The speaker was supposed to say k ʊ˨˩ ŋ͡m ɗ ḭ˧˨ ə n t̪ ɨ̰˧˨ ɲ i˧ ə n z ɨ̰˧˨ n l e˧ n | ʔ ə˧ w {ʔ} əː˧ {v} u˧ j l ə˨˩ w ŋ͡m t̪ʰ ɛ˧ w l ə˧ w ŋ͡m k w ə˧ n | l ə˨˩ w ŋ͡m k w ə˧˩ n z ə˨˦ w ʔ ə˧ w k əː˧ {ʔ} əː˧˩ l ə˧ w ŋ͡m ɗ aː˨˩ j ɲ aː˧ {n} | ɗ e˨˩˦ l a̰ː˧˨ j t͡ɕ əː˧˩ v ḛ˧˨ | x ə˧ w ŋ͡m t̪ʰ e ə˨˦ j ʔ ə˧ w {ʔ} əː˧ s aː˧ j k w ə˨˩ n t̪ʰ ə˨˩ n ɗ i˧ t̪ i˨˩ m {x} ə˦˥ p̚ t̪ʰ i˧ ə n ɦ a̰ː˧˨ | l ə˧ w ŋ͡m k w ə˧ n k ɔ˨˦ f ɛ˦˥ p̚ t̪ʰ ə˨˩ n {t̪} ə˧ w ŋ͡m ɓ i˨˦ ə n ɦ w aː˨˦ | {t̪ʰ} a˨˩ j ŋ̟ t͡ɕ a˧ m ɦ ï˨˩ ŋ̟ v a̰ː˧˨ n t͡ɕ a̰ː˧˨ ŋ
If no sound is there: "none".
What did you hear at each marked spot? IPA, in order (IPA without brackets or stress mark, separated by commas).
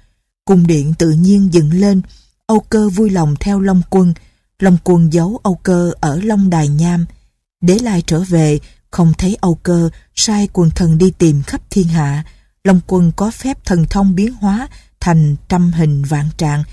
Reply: k, v, ʔ, m, k, x, t̪ʰ, t̪ʰ